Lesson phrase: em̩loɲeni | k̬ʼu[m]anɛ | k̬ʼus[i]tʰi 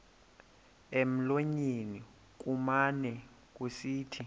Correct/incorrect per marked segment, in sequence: correct, incorrect

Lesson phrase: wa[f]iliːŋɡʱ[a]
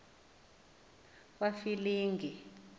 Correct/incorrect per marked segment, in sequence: correct, incorrect

